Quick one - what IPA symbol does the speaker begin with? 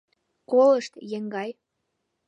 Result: k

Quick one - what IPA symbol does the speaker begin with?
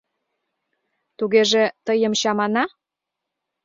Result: t̪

